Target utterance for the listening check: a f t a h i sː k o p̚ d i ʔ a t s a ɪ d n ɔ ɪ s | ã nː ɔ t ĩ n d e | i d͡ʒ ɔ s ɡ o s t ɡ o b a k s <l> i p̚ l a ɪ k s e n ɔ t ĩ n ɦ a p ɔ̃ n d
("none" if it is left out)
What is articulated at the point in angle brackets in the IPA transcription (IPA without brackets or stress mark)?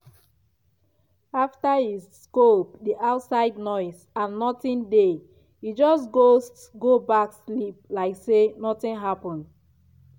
l